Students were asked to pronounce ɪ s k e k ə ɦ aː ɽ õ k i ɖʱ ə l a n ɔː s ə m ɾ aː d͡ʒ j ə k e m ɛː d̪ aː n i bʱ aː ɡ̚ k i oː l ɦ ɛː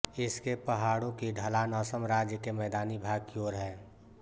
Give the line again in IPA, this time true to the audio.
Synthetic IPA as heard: ɪ s k e p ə ɦ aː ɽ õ k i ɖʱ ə l a n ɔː s ə m ɾ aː d͡ʒ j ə k e m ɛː d̪ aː n i bʱ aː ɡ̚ k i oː ɾ ɦ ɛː